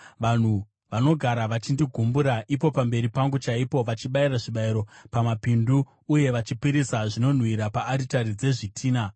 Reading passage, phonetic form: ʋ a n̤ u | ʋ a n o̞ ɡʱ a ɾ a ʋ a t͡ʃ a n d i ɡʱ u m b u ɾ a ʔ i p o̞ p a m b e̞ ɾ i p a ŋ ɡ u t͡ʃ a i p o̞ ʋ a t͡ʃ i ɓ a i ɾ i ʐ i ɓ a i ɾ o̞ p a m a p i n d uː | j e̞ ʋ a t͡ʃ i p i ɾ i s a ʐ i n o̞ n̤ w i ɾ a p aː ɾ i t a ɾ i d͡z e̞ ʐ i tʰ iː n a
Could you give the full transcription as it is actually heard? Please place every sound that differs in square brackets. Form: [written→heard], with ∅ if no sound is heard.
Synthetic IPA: ʋ a n̤ u | ʋ a n o̞ ɡʱ a ɾ a ʋ a t͡ʃ [a→i] n d i ɡʱ u m b u ɾ a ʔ i p o̞ p a m b e̞ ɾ i p a ŋ ɡ u t͡ʃ a i p o̞ ʋ a t͡ʃ i ɓ a i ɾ [i→a] ʐ i ɓ a i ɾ o̞ p a m a p i n d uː | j e̞ ʋ a t͡ʃ i p i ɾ i s a ʐ i n o̞ n̤ w i ɾ a p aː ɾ i t a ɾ i d͡z e̞ ʐ i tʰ iː n a

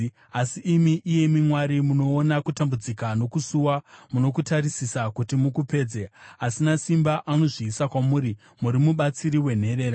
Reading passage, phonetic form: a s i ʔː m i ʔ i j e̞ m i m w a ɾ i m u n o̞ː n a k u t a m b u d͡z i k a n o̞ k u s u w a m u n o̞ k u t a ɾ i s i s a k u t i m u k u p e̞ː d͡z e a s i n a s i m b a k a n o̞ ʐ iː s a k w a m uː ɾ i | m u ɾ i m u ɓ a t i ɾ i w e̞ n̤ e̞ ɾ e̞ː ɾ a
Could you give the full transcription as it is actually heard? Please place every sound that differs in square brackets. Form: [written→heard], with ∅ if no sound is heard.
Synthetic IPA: a s i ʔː m i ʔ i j e̞ m i m w a ɾ i m u n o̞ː n a k u t a m b u d͡z i k a n o̞ k u s u w a m u n o̞ k u t a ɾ i s i s a k u t i m u k u p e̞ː d͡z e a s i n a s i m b a [k→ʔ] a n o̞ ʐ iː s a k w a m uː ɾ i | m u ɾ i m u ɓ a [t→t͡s] i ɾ i w e̞ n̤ e̞ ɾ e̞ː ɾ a

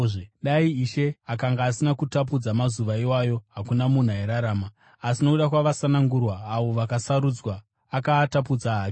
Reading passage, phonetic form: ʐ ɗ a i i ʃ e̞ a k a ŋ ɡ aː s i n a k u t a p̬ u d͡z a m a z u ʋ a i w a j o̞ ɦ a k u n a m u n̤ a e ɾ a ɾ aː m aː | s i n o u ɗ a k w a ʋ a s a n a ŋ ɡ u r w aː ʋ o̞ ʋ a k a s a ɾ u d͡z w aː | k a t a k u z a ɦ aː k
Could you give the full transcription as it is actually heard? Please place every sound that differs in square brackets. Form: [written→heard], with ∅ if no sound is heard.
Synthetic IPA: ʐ ɗ a i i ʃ e̞ a k a ŋ ɡ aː s i n a k u t a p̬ u d͡z a m a z u ʋ a i w a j o̞ ɦ a k u n a m u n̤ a e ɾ a ɾ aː m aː | s i n o u ɗ a k w a ʋ a s a n a ŋ ɡ u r w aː ʋ o̞ ʋ a k a s a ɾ u d͡z w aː | k a t a [k→p] u [z→d͡z] a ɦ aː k

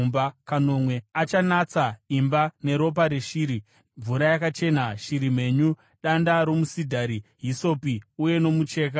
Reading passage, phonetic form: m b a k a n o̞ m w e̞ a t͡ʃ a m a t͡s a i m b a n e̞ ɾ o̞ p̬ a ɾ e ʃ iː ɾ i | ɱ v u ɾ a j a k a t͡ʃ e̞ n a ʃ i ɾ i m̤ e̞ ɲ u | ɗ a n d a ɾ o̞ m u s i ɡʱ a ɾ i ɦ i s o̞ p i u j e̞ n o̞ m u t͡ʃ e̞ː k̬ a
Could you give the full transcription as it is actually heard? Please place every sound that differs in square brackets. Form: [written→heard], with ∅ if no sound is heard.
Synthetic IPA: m b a k a n o̞ m w e̞ a t͡ʃ a [m→n] a t͡s a i m b a n e̞ ɾ o̞ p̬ a ɾ e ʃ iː ɾ i | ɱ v u ɾ a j a k a t͡ʃ e̞ n a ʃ i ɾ i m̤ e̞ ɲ u | ɗ a n d a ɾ o̞ m u s i [ɡʱ→dʱ] a ɾ i ɦ i s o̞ p i u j e̞ n o̞ m u t͡ʃ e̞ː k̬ a

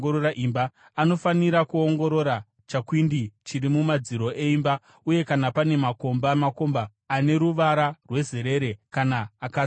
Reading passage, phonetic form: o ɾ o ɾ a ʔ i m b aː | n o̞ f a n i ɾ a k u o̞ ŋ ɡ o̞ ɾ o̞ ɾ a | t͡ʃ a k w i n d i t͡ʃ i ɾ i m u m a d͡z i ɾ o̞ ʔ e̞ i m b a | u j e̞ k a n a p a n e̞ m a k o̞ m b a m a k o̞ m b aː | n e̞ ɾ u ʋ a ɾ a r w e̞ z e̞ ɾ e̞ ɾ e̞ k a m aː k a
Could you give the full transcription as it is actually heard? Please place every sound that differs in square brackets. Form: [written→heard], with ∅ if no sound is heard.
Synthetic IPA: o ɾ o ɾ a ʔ i m b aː | n o̞ f a n i ɾ a k u o̞ ŋ ɡ o̞ ɾ o̞ ɾ a | t͡ʃ a k w i n d i t͡ʃ i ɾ i m u m a d͡z i ɾ o̞ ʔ e̞ i m b a | u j e̞ k a n a p a n e̞ m a k o̞ m b a m a k o̞ m b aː | n e̞ ɾ u ʋ a ɾ a r w e̞ z e̞ ɾ e̞ ɾ e̞ k a [m→n] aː k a

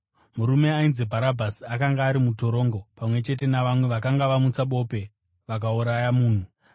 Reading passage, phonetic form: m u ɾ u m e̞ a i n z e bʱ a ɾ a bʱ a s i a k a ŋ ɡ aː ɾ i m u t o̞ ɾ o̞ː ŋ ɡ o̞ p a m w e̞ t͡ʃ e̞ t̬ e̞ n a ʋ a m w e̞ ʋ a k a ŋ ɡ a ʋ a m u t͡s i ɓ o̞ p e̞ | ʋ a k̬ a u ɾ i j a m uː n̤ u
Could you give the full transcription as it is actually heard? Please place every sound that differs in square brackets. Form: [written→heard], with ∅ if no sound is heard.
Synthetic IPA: m u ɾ u m e̞ a i n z e bʱ a ɾ a bʱ a s i a k a ŋ ɡ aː ɾ i m u t o̞ ɾ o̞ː ŋ ɡ o̞ p a m w e̞ t͡ʃ e̞ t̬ e̞ n a ʋ a m w e̞ ʋ a k a ŋ ɡ a ʋ a m u t͡s [i→a] ɓ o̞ p e̞ | ʋ a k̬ a u ɾ [i→a] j a m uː n̤ u

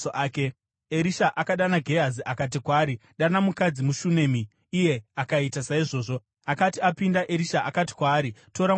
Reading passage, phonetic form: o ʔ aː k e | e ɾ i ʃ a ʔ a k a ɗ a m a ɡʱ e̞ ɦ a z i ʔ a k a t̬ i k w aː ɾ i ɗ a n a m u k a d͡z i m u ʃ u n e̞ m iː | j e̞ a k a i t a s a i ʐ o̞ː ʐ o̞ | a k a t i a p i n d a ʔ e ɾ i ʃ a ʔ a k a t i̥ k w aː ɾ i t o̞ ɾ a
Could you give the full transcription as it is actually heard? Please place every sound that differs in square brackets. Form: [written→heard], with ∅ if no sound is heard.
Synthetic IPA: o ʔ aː k e | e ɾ i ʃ a ʔ a k a ɗ a [m→n] a ɡʱ e̞ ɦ a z i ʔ a k a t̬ i k w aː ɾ i ɗ a n a m u k a d͡z i m u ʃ u n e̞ m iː | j e̞ a k a i t a s a i ʐ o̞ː ʐ o̞ | a k a t i a p i n d a ʔ e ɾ i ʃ a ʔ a k a t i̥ k w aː ɾ i t o̞ ɾ a

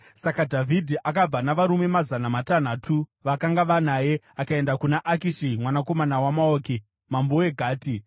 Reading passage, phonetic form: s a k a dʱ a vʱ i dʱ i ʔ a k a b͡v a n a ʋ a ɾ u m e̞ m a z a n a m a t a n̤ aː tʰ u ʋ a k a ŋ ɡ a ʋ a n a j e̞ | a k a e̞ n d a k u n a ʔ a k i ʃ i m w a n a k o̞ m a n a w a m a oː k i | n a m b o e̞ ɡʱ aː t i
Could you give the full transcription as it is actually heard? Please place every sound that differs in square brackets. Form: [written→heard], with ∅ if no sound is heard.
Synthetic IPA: s a k a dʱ a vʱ i dʱ i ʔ a k a b͡v a n a ʋ a ɾ u m e̞ m a z a n a m a t a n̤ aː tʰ u ʋ a k a ŋ ɡ a ʋ a n a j e̞ | a k a e̞ n d a k u n a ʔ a k i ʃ i m w a n a k o̞ m a n a w a m a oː k i | [n→m] a m b o e̞ ɡʱ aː t i

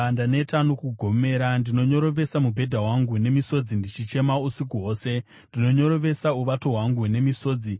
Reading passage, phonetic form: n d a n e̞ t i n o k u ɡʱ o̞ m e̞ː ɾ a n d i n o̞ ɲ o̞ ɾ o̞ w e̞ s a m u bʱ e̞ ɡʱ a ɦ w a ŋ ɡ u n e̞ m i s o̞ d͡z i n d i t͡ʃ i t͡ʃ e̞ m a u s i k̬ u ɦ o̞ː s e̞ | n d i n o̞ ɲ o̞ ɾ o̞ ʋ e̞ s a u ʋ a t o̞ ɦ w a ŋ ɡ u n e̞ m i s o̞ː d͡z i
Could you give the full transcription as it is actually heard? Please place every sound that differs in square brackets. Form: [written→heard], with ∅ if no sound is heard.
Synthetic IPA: n d a n e̞ t [i→a] n o k u ɡʱ o̞ m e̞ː ɾ a n d i n o̞ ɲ o̞ ɾ o̞ [w→ʋ] e̞ s a m u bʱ e̞ [ɡʱ→dʱ] a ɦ w a ŋ ɡ u n e̞ m i s o̞ d͡z i n d i t͡ʃ i t͡ʃ e̞ m a u s i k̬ u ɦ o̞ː s e̞ | n d i n o̞ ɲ o̞ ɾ o̞ ʋ e̞ s a u ʋ a t o̞ ɦ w a ŋ ɡ u n e̞ m i s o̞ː d͡z i

